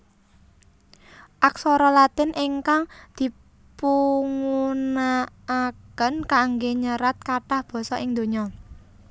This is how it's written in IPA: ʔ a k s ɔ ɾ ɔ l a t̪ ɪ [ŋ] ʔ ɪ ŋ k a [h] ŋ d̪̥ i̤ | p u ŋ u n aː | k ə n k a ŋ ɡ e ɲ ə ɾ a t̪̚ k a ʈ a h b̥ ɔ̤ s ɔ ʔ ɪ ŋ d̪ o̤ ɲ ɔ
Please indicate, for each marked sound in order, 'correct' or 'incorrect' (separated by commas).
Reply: incorrect, incorrect